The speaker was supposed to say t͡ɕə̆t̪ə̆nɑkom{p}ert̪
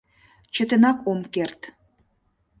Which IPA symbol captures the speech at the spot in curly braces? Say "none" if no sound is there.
k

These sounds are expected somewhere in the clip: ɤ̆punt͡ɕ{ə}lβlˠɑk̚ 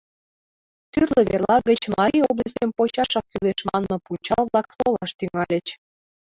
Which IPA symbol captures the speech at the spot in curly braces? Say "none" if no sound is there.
ɑ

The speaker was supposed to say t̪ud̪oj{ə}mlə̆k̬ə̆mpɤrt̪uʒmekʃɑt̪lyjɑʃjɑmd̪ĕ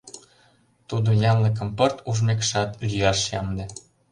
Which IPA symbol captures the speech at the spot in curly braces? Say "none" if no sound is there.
ɑ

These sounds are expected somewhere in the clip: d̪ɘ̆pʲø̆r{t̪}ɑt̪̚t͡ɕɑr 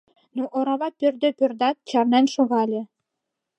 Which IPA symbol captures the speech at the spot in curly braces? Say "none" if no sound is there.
d̪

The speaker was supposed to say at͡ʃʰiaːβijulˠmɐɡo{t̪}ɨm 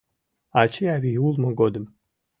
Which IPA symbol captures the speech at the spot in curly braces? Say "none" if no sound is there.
d̪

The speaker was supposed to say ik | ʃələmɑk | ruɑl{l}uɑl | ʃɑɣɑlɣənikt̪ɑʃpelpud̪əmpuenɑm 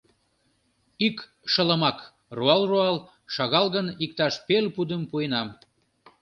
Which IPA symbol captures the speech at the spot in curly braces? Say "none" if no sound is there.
r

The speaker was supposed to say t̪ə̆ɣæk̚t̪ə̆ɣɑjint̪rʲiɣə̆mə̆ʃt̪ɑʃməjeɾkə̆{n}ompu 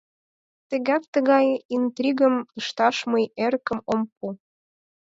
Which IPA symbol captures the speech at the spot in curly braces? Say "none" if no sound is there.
m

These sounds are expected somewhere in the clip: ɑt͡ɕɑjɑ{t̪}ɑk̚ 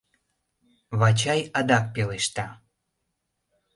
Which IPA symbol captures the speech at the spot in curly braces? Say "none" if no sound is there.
d̪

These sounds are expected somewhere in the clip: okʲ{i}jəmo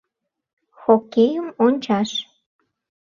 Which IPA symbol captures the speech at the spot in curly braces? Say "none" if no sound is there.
e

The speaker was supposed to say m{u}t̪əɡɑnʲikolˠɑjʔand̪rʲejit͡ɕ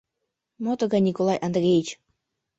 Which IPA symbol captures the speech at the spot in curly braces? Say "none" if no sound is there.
o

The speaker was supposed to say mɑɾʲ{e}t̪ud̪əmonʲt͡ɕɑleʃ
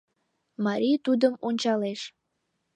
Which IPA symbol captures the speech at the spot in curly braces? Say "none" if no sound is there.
i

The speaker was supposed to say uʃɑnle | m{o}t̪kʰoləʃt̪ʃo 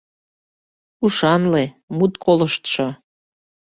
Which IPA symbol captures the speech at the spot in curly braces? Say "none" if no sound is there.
u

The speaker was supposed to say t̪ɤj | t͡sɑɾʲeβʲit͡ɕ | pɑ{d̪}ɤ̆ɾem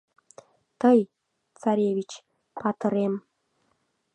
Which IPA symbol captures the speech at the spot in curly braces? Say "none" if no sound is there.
t̪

